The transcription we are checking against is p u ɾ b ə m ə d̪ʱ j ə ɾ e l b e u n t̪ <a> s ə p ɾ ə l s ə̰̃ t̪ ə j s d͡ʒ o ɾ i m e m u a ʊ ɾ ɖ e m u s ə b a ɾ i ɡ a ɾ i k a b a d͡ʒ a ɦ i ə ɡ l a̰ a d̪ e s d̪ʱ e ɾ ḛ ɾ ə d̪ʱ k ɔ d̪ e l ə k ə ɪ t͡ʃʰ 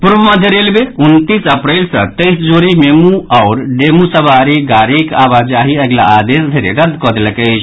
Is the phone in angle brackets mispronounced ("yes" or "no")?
yes